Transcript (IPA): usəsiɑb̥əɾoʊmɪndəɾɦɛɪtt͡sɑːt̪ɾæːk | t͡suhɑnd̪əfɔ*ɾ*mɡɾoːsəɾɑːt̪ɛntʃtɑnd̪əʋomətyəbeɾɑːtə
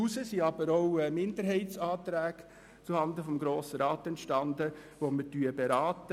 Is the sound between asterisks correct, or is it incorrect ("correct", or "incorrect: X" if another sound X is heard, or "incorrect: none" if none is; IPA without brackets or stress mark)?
incorrect: none